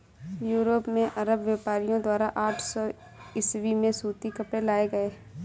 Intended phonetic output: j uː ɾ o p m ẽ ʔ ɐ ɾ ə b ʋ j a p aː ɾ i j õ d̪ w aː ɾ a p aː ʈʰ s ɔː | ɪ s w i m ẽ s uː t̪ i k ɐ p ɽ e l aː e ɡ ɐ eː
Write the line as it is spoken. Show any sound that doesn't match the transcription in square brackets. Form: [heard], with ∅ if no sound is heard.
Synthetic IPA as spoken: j uː ɾ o p m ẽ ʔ ɐ ɾ ə b ʋ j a p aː ɾ i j õ d̪ w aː ɾ a [ʔ] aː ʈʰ s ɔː | ɪ s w i m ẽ s uː t̪ i k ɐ p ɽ e l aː e ɡ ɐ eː